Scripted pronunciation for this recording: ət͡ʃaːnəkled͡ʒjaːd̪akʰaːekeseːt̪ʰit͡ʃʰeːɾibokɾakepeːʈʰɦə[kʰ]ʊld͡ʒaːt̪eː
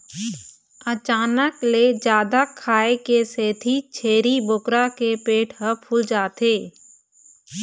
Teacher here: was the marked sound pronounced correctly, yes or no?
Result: no